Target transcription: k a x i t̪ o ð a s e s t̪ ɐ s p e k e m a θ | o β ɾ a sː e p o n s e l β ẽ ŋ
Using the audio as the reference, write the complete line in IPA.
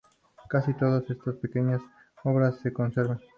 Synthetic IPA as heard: k a s i t̪ o ð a s e s t̪ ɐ s p e k e ɲ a s | o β ɾ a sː e k o n s e ɾ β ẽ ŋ